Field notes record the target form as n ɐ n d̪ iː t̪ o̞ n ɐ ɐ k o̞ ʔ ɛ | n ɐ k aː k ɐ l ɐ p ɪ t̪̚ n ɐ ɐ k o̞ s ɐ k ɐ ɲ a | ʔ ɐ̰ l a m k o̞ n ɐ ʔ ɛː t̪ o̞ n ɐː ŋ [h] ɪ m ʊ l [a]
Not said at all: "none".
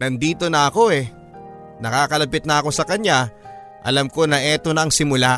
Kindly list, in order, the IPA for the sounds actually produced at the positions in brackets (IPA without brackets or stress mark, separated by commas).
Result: s, a